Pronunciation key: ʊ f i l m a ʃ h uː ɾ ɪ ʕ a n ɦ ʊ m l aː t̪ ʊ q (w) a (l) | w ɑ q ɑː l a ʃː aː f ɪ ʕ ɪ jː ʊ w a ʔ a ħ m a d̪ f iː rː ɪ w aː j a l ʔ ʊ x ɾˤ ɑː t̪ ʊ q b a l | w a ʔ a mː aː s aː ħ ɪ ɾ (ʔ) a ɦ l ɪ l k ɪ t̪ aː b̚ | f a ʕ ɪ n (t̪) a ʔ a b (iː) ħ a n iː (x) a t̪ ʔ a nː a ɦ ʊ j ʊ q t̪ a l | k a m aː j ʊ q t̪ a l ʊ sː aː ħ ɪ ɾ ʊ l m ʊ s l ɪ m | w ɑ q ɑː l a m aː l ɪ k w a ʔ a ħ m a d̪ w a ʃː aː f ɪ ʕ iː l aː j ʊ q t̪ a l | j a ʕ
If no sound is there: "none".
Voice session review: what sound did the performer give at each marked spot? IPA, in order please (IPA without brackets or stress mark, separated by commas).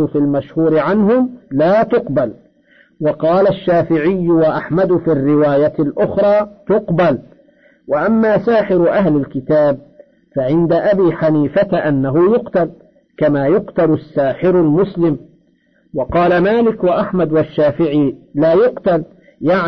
b, l, ʔ, d̪, iː, f